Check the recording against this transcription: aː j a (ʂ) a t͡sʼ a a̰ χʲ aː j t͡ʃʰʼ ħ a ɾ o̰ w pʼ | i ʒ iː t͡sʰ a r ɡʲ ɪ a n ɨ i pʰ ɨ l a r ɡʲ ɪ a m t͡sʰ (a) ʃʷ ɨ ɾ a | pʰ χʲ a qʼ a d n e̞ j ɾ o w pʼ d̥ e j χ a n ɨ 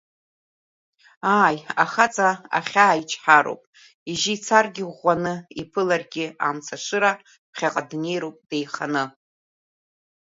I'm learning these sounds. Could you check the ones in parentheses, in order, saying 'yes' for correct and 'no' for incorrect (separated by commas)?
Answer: no, yes